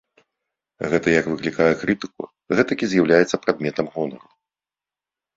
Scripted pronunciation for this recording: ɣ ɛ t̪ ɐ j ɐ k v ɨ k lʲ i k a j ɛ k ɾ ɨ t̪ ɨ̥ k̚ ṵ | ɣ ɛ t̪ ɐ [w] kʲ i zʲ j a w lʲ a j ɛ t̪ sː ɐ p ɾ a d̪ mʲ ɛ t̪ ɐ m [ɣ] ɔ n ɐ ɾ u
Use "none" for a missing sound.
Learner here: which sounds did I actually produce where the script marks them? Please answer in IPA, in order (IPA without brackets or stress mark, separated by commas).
none, ɣ